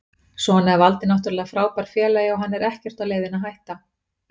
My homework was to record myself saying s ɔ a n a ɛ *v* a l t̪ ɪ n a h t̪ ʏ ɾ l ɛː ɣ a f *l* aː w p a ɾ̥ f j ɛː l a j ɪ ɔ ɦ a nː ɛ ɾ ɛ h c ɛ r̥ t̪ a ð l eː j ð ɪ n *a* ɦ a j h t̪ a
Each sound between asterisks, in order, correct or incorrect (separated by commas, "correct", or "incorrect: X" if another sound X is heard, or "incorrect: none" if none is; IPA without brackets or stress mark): correct, incorrect: ɾ, correct